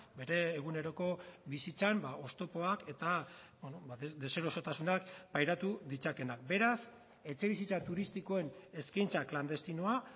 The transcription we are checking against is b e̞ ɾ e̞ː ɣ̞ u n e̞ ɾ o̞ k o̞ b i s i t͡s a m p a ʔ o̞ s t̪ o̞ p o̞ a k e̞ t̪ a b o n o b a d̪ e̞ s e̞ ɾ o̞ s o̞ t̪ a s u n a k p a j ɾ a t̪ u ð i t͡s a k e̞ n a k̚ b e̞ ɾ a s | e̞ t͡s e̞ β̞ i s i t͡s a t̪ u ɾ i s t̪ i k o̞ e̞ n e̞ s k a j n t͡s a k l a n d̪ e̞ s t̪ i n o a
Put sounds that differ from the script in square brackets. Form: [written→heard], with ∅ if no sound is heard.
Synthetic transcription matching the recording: b e̞ ɾ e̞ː ɣ̞ u n e̞ ɾ o̞ k o̞ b i s i t͡s a m [p→b] a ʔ o̞ s t̪ o̞ p o̞ a k e̞ t̪ a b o n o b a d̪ e̞ s e̞ ɾ o̞ s o̞ t̪ a s u n a k p a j ɾ a t̪ u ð i t͡s a k e̞ n a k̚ b e̞ ɾ a s | e̞ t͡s e̞ β̞ i s i t͡s a t̪ u ɾ i s t̪ i k o̞ e̞ n e̞ s k a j n t͡s a k l a n d̪ e̞ s t̪ i n o a